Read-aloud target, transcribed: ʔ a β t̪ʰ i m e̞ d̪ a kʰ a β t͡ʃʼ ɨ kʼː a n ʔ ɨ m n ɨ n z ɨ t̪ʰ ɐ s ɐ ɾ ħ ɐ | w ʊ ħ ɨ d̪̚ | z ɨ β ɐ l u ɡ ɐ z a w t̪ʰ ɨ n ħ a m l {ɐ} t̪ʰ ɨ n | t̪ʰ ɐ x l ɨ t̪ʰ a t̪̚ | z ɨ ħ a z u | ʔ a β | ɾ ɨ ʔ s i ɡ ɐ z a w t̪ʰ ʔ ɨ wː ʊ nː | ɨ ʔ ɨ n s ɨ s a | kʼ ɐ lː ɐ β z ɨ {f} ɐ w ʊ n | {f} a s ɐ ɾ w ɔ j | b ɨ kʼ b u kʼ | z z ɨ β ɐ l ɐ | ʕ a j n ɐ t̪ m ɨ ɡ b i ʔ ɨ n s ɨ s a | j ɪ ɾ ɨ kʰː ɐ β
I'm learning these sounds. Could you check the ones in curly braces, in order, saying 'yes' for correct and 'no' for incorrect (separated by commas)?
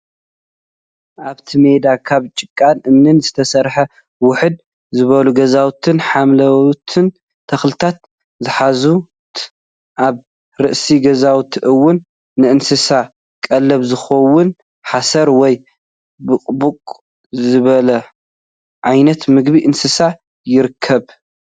yes, no, no